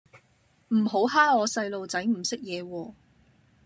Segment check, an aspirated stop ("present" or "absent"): absent